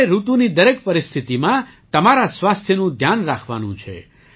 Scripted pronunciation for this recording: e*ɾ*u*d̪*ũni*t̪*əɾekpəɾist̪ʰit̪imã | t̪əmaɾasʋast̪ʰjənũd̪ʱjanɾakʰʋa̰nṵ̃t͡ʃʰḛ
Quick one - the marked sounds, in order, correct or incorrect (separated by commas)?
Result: correct, incorrect, incorrect